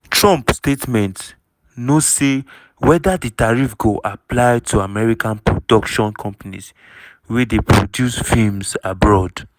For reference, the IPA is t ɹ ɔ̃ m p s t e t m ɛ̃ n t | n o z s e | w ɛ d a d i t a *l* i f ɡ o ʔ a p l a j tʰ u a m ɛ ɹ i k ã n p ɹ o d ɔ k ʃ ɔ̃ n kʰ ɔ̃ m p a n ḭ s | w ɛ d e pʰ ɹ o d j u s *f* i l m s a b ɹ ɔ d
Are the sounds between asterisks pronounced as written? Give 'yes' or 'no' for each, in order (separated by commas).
no, yes